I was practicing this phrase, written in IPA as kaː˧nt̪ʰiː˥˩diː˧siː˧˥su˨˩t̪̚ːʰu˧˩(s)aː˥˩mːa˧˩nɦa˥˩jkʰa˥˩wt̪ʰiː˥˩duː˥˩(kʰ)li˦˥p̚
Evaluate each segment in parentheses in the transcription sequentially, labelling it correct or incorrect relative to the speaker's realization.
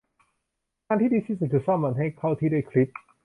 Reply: correct, correct

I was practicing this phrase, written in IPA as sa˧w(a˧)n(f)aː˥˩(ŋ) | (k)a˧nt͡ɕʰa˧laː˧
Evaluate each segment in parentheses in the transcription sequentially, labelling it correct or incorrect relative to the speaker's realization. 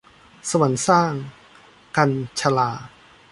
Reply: incorrect: a˩˦, incorrect: s, correct, correct

